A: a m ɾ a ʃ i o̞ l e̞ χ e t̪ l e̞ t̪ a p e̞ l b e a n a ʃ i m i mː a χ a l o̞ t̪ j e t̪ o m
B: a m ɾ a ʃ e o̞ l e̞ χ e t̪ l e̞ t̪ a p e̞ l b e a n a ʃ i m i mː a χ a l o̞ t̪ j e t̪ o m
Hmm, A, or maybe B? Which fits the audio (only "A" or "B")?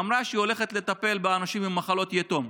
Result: A